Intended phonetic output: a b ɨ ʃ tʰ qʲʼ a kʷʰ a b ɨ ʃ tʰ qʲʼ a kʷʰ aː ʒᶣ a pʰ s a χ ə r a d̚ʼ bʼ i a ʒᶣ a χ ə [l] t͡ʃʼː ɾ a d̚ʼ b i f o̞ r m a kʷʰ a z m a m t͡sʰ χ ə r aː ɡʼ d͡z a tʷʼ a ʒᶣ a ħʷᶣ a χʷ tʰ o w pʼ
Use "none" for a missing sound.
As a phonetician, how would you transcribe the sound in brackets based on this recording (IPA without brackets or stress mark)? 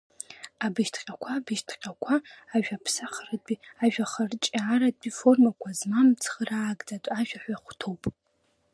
r